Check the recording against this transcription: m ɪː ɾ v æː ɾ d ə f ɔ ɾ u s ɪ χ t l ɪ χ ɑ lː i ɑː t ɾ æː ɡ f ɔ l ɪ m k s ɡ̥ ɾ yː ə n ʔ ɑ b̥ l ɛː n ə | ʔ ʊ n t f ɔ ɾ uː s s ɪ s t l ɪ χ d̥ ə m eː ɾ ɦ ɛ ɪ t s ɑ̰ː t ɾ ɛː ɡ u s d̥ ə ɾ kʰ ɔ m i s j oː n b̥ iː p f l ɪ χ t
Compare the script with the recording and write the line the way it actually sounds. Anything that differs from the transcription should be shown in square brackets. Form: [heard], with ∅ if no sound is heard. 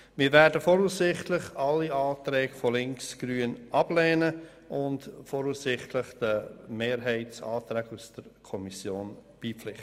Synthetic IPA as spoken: m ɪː ɾ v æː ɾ d ə f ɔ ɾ u s ɪ χ t l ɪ χ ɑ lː i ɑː t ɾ [ɛː] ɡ f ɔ l ɪ [ŋ] k s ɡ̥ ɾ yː ə n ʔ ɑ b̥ l ɛː n ə | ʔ ʊ n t f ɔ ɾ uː s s ɪ [χ] t l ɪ χ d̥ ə m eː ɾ ɦ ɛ ɪ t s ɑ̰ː t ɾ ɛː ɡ u s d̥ ə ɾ kʰ ɔ m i s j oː n b̥ iː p f l ɪ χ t